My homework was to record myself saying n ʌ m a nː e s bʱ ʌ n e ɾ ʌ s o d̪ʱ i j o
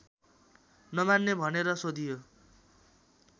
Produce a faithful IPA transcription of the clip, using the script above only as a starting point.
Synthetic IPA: n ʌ m a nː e bʱ ʌ n e ɾ ʌ s o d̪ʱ i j o